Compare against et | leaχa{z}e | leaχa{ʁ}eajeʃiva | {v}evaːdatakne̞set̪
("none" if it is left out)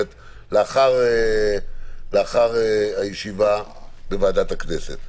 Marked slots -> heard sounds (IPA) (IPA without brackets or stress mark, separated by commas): ʁ, ʁ, b